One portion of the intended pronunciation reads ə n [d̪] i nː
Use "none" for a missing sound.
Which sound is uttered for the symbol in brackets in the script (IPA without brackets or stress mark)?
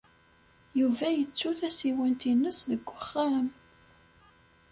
t̪